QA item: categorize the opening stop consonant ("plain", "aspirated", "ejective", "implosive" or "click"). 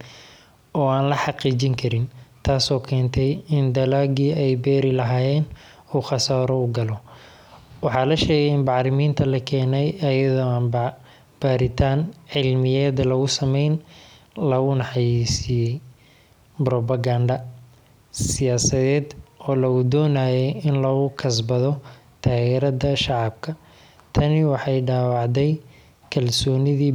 plain